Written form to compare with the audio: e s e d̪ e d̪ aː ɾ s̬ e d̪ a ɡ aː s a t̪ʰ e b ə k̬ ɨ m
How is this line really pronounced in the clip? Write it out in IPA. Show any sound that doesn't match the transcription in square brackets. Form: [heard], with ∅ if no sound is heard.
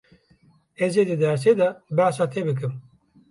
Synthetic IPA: e [z] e d̪ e d̪ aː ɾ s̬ e d̪ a [b] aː s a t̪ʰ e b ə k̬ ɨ m